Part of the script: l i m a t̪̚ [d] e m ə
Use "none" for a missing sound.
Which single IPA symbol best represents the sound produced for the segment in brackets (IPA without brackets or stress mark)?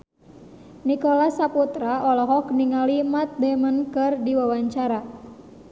d